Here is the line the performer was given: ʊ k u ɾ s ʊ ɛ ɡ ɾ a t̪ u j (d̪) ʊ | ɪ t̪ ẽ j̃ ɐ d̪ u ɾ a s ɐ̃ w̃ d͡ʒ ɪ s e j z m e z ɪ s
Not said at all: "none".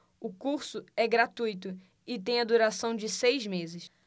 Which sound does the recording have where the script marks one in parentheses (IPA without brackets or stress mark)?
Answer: t̪